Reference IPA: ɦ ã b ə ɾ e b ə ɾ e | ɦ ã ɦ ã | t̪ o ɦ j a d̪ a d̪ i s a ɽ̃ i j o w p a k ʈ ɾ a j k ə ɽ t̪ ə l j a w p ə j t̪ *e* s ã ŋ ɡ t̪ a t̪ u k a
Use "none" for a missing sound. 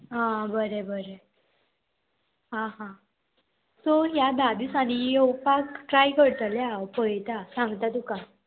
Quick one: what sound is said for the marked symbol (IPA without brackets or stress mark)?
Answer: a